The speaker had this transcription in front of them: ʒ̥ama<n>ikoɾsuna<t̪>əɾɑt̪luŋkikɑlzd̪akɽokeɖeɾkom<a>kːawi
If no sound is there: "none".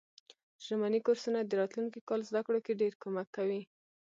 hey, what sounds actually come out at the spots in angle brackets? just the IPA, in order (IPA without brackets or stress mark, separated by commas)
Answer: n, d̪, a